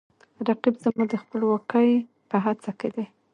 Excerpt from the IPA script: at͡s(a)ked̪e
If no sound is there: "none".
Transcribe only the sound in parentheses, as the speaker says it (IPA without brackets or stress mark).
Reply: a